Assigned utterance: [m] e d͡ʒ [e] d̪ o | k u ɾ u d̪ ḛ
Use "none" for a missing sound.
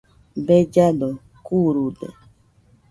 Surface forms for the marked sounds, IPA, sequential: b, a

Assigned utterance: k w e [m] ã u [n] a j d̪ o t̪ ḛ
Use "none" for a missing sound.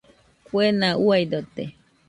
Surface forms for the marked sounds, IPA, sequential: n, none

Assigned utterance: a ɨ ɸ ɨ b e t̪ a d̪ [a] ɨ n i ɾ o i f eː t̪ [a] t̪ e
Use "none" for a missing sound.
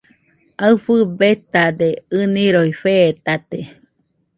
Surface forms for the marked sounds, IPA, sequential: e, a

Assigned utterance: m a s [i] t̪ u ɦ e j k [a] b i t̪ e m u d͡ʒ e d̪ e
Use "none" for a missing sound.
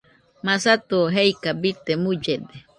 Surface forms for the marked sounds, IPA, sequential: a, a

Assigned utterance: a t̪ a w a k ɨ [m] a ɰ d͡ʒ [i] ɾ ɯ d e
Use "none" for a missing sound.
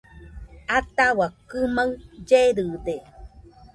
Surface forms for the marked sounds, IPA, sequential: m, e

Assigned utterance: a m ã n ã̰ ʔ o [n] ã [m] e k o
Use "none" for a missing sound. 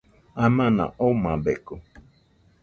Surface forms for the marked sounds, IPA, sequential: m, b

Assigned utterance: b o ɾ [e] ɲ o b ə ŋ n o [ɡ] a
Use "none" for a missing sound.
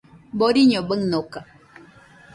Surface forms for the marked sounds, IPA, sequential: i, k

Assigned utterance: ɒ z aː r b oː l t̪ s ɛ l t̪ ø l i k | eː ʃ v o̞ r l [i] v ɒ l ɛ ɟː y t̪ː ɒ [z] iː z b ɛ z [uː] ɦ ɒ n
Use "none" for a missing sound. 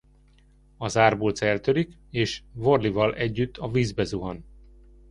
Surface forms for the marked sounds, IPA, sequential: i, v, u

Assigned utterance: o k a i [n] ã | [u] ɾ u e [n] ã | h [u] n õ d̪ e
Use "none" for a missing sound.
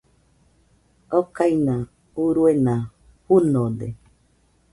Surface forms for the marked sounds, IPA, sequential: n, u, n, u

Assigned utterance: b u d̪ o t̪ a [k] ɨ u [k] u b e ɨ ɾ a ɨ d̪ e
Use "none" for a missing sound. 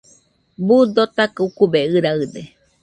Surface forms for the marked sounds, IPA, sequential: k, k

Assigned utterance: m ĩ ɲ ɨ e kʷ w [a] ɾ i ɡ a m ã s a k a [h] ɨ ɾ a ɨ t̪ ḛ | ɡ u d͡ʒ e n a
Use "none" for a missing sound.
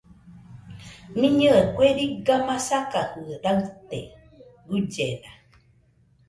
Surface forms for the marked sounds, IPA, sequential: e, h

